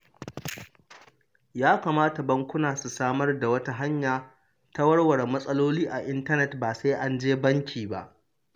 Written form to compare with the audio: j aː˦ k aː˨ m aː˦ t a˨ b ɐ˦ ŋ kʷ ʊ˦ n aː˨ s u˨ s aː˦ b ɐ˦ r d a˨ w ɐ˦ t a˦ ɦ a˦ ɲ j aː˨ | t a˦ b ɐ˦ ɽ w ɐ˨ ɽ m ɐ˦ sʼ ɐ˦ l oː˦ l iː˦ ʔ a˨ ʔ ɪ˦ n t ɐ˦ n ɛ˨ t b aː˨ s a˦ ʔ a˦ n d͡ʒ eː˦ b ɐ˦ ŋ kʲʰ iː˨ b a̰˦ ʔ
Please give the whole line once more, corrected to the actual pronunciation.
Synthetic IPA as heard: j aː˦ k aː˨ m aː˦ t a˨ b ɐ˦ ŋ kʷ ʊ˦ n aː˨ s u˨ s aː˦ m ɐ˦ r d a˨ w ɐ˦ t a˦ ɦ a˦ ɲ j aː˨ | t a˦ w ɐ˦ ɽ w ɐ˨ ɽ m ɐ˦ sʼ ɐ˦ l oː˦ l iː˦ ʔ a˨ ʔ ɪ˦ n t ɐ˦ n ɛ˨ t b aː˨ s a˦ ʔ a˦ n d͡ʒ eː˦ b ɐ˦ ŋ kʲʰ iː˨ b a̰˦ ʔ